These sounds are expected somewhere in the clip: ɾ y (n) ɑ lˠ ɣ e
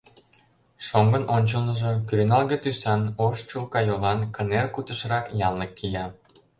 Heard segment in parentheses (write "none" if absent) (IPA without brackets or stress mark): n